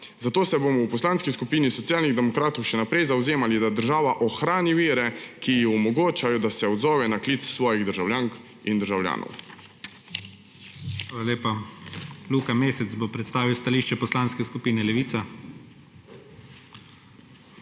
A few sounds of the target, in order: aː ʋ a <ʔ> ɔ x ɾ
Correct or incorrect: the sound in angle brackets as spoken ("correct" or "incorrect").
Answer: correct